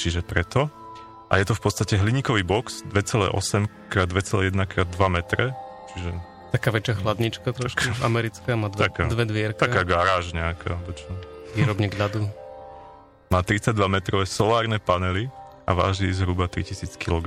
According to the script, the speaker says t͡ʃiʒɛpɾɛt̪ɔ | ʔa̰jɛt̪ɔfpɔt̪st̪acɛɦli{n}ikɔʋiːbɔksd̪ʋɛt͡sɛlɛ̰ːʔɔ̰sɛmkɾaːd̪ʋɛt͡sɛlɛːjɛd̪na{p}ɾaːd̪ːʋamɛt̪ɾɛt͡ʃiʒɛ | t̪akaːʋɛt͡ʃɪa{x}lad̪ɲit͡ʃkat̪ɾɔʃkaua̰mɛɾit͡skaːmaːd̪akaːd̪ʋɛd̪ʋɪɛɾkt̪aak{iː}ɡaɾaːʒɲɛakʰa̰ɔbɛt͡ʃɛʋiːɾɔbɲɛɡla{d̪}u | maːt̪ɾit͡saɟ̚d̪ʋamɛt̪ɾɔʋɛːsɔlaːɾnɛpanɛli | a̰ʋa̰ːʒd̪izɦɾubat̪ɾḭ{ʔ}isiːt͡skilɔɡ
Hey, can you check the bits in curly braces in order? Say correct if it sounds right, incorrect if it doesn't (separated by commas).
incorrect, incorrect, correct, incorrect, correct, incorrect